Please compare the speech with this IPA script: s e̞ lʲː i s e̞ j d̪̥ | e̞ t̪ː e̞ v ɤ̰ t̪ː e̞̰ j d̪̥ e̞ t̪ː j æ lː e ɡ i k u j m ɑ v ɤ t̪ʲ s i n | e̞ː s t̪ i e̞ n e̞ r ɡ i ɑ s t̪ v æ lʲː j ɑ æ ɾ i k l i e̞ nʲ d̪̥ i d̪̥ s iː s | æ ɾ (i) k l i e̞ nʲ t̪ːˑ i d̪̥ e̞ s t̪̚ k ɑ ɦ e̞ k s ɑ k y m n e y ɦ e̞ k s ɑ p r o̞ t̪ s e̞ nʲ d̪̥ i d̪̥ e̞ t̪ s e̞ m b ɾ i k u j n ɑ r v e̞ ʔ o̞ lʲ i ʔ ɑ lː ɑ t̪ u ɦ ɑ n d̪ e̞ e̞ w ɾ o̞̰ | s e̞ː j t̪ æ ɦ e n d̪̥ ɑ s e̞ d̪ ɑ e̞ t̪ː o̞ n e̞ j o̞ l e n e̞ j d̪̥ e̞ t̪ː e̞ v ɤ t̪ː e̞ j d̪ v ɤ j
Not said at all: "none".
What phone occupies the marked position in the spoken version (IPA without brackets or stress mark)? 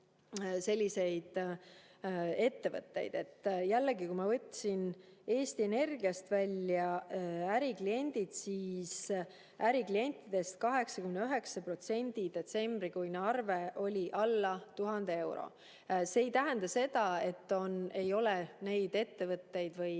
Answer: i